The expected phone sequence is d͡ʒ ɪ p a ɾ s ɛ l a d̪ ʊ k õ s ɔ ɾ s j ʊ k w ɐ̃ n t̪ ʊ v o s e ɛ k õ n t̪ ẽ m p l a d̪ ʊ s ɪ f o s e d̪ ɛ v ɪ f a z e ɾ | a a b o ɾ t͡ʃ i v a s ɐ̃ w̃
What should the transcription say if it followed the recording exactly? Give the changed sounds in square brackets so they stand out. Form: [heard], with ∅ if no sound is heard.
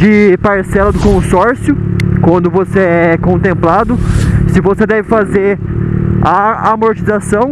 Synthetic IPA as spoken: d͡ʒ ɪ p a ɾ s ɛ l [ɐ] d̪ ʊ k õ s ɔ ɾ s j ʊ k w ɐ̃ n [d̪] ʊ v o s e ɛ k õ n t̪ ẽ m p l a d̪ ʊ s ɪ [v] o s e d̪ ɛ v ɪ f a z e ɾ | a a [m] o ɾ t͡ʃ i [z] a s ɐ̃ w̃